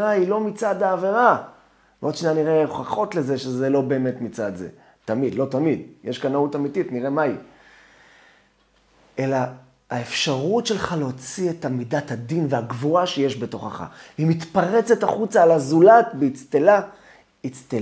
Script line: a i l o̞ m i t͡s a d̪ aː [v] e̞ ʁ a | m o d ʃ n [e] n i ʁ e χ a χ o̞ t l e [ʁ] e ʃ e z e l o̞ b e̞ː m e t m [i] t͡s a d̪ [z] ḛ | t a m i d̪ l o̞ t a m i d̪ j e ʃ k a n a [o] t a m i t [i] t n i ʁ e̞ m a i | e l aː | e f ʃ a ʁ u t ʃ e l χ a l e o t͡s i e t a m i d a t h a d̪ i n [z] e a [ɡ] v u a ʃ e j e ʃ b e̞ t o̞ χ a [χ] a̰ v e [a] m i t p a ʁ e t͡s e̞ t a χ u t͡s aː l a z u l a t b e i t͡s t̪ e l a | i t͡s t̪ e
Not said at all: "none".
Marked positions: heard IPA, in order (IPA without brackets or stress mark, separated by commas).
v, a, z, i, z, u, i, v, ɡ, χ, i